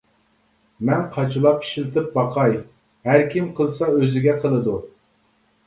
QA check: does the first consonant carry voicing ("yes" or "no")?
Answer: yes